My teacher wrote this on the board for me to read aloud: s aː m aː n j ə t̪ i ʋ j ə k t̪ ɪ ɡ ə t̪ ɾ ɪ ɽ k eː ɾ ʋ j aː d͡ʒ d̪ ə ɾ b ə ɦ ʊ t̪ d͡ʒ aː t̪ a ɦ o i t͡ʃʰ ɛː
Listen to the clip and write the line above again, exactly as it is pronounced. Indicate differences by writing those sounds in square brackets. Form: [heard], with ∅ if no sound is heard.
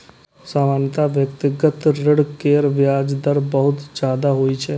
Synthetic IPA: s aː m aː n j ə t̪ [a] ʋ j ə k t̪ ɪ ɡ ə t̪ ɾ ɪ ɽ k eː ɾ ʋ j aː d͡ʒ d̪ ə ɾ b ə ɦ ʊ t̪ d͡ʒ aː [d̪] a ɦ o i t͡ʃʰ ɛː